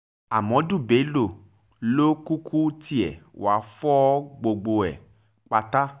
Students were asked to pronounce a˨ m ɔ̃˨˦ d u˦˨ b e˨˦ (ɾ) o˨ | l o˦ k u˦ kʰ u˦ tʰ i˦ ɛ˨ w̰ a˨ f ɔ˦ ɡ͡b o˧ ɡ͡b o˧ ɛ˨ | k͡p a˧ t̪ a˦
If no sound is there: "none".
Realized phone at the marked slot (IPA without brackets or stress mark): l